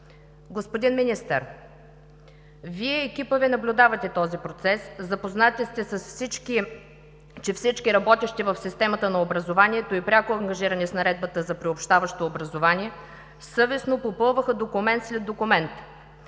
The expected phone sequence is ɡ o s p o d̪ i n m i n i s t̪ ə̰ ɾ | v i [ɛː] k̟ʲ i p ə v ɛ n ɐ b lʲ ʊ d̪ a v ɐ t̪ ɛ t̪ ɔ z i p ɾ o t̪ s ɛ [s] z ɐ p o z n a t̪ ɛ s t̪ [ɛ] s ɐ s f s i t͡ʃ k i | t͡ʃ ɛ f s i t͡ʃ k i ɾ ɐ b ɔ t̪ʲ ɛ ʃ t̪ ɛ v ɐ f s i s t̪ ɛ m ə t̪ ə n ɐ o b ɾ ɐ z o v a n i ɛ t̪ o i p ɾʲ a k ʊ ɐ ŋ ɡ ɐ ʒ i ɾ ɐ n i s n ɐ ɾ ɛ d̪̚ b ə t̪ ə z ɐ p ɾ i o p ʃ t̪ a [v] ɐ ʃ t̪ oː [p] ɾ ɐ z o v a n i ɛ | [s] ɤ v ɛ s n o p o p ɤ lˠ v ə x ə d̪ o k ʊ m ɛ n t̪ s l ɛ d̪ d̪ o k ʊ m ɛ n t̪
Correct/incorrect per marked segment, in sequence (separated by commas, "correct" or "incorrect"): correct, correct, correct, correct, incorrect, correct